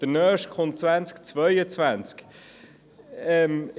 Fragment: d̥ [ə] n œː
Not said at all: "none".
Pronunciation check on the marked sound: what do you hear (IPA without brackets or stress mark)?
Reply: ə